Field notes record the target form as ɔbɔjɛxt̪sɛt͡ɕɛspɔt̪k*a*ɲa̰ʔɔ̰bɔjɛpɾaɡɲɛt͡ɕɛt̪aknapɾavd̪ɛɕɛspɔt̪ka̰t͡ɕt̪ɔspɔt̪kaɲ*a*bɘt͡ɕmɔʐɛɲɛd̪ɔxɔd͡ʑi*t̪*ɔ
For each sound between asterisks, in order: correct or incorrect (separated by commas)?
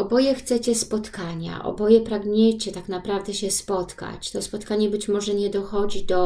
correct, incorrect, incorrect